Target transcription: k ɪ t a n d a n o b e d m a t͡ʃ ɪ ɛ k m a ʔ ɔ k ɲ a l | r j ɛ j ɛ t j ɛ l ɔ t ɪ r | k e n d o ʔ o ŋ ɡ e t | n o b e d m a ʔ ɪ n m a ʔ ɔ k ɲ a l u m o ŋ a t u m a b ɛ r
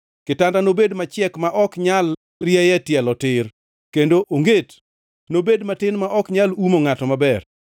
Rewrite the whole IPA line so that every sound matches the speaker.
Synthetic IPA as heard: k ɪ t a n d a n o b e d m a t͡ʃ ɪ ɛ k m a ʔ ɔ k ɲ a l | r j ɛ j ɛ t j ɛ l ɔ t ɪ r | k e n d o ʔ o ŋ ɡ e t | n o b e d m a t ɪ n m a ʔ ɔ k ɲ a l u m o ŋ a t ɔ m a b ɛ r